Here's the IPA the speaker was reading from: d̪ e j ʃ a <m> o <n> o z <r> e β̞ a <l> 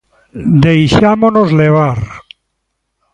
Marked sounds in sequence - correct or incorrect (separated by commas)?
correct, correct, incorrect, incorrect